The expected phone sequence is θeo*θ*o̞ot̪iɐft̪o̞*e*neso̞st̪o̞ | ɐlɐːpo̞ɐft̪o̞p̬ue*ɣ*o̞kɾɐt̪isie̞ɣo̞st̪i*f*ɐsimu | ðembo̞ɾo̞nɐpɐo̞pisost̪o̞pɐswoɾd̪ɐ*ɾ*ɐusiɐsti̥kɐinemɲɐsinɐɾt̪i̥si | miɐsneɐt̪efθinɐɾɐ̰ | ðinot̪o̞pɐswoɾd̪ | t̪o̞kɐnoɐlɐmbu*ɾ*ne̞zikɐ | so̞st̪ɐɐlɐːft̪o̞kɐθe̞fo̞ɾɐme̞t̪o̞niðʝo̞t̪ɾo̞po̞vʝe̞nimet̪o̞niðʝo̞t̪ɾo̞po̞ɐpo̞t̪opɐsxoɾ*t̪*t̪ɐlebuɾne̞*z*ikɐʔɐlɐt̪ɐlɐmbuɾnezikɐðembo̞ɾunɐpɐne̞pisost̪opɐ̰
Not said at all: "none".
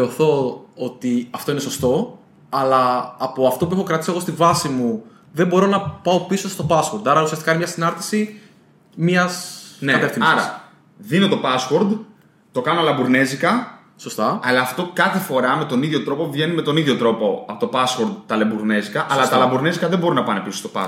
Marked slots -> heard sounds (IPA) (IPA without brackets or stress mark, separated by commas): θ, i, x, v, ɾ, ɾ, d̪, z